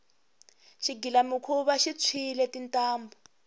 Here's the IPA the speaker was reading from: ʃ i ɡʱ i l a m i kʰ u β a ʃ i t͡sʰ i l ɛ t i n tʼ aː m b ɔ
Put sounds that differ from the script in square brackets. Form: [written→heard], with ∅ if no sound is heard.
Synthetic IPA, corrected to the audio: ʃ i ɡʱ i l a m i kʰ u β a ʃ i t͡sʰ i l ɛ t i n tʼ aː m b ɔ